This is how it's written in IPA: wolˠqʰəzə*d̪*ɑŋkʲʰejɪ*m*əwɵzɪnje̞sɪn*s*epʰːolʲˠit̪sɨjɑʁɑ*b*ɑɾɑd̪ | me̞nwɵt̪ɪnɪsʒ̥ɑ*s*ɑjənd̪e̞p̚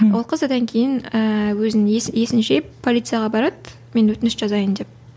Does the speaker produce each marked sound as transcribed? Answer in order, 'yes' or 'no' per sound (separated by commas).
yes, no, no, yes, no